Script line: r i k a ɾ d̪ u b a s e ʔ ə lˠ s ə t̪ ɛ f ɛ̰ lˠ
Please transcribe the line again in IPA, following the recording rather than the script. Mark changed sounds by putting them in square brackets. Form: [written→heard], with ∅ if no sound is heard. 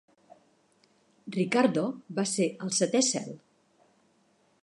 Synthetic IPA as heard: r i k a ɾ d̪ [u→o] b a s e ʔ ə lˠ s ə t̪ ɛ [f→s] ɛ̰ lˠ